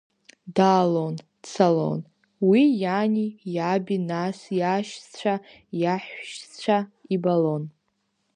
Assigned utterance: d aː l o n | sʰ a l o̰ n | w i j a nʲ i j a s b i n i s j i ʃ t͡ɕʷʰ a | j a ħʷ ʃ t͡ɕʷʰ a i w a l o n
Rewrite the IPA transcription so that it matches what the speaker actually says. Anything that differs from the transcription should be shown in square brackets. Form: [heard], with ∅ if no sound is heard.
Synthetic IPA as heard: d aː l o n | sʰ a l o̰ n | w i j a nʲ i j a [∅] b i n [a] s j [a] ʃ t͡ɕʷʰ a | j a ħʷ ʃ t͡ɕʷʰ a i [b] a l o n